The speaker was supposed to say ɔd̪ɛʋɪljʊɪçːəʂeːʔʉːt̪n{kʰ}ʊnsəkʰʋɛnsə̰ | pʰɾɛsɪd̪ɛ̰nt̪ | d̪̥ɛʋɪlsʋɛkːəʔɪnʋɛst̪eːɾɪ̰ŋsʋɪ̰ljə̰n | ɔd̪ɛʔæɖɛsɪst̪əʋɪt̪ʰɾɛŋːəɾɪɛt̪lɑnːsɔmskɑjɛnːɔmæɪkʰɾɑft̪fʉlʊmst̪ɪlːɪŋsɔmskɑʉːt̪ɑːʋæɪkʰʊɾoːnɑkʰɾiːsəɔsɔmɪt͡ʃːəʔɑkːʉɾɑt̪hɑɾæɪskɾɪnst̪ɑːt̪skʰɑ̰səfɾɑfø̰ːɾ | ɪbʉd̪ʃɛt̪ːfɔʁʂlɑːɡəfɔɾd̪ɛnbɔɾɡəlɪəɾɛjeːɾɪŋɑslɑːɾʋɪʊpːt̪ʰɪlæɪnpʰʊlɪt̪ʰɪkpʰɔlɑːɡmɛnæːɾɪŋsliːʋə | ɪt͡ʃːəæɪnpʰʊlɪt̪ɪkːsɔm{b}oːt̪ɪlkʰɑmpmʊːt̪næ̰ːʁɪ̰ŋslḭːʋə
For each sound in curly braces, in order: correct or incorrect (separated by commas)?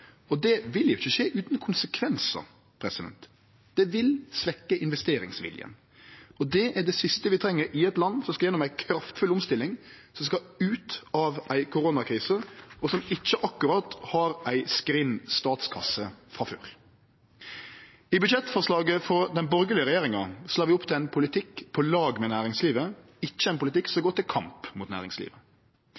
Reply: correct, incorrect